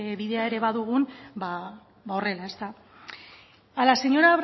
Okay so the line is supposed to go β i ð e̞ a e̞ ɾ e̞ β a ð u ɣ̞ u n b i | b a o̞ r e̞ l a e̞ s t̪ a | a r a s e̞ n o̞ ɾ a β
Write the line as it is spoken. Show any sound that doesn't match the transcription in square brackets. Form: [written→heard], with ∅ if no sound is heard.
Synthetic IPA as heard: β i ð e̞ a e̞ ɾ e̞ β a ð u ɣ̞ u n b [i→a] | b a o̞ r e̞ l a e̞ s t̪ a | a [r→l] a s e̞ [n→ɲ] o̞ ɾ a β